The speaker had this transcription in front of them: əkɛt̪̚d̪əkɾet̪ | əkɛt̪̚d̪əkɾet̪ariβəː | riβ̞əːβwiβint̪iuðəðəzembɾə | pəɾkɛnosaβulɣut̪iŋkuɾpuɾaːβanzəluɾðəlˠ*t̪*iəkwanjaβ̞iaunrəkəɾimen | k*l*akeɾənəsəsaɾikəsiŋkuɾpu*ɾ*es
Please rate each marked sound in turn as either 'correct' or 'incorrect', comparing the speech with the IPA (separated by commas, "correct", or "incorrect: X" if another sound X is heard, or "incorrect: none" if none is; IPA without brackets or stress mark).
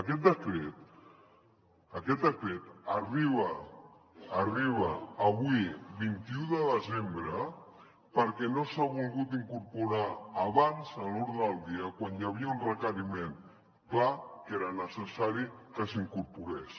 incorrect: d̪, correct, correct